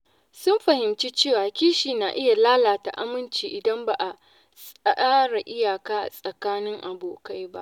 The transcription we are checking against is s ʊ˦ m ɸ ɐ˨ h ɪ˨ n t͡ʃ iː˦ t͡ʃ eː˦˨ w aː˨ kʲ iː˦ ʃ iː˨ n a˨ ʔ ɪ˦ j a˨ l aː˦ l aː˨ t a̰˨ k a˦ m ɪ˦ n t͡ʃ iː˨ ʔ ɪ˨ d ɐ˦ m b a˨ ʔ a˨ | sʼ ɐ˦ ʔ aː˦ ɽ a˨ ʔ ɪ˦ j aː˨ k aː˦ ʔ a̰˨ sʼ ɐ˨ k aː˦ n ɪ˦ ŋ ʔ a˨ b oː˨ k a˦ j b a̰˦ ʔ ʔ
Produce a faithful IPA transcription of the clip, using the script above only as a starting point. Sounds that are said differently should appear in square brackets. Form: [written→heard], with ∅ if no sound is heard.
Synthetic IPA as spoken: s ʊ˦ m ɸ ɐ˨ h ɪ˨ [n→m] t͡ʃ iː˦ t͡ʃ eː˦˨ w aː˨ kʲ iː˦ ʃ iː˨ n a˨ ʔ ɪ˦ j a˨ l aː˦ l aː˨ t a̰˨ [k→ʔ] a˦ m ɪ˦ n t͡ʃ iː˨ ʔ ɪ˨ d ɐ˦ m b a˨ ʔ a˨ | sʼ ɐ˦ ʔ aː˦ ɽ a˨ ʔ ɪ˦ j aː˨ k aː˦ ʔ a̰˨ sʼ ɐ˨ k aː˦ n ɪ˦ ŋ ʔ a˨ b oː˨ k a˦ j b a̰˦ ʔ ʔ